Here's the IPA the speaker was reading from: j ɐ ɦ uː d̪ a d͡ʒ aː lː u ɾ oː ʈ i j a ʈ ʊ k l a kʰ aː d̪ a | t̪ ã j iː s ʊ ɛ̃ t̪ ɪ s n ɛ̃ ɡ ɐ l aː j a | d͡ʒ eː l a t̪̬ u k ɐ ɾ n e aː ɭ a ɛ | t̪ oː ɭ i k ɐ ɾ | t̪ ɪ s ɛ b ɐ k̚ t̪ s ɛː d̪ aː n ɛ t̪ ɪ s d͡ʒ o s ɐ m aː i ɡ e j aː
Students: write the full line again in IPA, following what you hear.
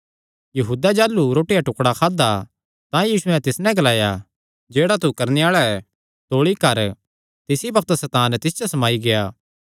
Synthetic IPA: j ɐ ɦ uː d̪ a d͡ʒ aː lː u ɾ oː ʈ i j a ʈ ʊ k ɽ a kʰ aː d̪ a | t̪ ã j iː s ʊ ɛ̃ t̪ ɪ s n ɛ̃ ɡ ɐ l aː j a | d͡ʒ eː ɽ a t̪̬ u k ɐ ɾ n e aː ɭ a ɛ | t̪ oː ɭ i k ɐ ɾ | t̪ ɪ s i b ɐ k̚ t̪ s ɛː t̪ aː n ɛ t̪ ɪ s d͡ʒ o s ɐ m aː i ɡ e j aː